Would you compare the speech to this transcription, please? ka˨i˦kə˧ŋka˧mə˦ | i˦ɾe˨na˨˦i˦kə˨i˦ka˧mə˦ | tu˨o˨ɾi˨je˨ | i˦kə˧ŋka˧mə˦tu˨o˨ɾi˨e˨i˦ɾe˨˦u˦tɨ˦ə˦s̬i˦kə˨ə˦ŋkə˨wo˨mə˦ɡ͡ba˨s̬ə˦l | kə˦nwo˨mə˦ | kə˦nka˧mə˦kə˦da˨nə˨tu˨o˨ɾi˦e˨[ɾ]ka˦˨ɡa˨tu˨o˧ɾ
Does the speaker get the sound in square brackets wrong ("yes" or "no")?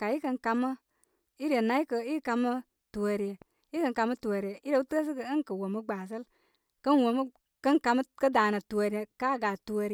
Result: yes